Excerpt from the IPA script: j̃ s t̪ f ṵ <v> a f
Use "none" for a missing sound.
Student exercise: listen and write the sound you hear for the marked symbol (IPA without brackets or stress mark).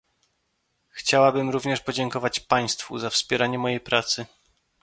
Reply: z